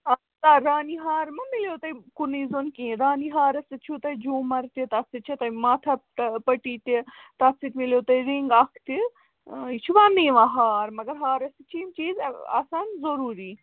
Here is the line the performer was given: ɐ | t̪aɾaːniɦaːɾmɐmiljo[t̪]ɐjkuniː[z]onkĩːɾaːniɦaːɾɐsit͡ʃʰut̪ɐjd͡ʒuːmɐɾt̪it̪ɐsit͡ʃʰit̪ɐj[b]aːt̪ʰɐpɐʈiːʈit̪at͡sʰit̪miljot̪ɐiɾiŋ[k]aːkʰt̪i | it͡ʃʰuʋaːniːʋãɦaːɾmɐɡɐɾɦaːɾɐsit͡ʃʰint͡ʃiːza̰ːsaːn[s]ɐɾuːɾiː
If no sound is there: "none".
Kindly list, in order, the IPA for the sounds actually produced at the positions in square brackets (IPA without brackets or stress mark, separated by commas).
t̪, z, m, ɡ, z